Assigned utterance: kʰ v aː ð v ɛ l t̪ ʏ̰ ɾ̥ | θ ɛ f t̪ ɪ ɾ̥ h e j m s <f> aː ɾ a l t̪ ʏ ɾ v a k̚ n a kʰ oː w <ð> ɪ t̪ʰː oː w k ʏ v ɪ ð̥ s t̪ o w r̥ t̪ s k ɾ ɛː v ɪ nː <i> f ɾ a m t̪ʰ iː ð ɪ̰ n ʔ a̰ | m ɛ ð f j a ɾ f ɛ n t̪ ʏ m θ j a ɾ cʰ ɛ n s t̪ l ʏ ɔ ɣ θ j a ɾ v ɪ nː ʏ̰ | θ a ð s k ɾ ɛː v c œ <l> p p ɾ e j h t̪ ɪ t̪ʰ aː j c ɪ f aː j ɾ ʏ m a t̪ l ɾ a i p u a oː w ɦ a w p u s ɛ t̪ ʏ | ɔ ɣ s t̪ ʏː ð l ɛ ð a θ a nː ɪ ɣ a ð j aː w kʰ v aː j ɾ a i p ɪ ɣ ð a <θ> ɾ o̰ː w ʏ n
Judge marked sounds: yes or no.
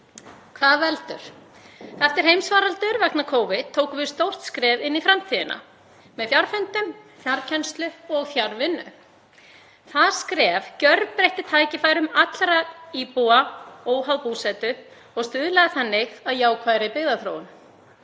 no, no, yes, no, yes

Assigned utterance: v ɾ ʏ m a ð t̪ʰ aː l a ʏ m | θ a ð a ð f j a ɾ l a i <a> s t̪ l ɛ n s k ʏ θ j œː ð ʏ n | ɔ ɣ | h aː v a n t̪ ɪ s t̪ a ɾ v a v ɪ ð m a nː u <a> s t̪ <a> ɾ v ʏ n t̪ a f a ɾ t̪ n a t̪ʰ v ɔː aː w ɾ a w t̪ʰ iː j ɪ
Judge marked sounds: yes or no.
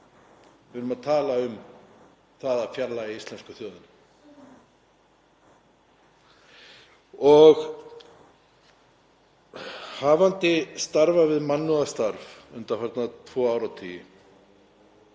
no, yes, yes

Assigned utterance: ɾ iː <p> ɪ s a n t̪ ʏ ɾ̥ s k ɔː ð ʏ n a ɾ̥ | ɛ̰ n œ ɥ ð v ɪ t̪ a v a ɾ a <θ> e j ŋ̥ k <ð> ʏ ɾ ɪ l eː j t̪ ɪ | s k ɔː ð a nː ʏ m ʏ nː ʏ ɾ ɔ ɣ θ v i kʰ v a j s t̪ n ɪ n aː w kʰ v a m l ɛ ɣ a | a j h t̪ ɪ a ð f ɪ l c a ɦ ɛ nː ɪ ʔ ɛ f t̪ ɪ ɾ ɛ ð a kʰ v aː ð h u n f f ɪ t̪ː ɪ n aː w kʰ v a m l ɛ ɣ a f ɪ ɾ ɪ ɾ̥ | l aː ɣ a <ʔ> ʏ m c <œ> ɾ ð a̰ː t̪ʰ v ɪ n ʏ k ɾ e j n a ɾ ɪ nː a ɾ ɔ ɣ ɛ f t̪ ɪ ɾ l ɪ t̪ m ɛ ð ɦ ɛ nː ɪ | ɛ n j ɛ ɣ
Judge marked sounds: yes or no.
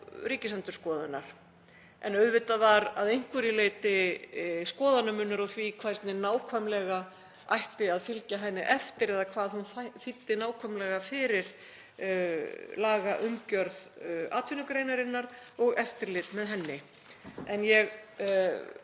no, no, no, yes, yes

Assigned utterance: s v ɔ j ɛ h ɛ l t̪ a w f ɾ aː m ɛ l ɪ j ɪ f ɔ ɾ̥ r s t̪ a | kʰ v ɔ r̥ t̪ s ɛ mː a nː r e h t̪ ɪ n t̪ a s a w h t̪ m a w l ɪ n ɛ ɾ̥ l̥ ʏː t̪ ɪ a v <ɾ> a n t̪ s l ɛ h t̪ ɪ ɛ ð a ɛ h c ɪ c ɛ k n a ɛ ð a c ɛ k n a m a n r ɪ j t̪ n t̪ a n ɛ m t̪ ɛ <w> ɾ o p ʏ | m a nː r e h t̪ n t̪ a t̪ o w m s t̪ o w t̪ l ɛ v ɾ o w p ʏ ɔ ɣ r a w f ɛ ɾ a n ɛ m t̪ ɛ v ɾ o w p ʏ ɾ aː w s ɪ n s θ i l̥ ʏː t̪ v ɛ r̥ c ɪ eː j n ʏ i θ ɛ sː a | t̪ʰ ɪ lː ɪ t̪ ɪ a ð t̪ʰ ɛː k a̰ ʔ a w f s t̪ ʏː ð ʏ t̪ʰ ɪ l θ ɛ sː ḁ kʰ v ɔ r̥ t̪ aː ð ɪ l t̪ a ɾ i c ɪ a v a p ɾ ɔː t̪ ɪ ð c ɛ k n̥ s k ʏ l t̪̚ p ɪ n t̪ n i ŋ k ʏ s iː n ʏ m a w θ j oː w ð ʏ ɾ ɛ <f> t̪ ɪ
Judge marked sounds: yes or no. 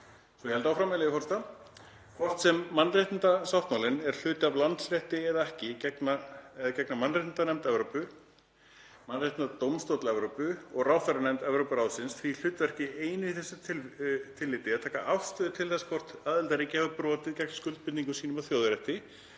no, no, no

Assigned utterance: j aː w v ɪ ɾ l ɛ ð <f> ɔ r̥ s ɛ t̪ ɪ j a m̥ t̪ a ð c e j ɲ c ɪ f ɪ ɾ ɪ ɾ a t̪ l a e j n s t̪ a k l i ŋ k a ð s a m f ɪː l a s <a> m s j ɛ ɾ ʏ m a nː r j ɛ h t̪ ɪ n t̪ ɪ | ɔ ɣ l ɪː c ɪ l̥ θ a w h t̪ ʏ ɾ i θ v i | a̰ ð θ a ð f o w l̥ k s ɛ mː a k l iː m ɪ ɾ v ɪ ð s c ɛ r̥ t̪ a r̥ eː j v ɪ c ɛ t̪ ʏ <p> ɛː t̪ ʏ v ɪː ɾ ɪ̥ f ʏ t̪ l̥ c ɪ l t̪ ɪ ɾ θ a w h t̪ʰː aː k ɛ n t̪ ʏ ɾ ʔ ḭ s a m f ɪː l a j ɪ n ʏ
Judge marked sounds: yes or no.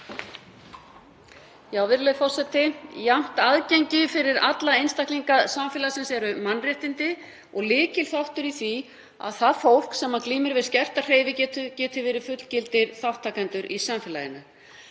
yes, no, no

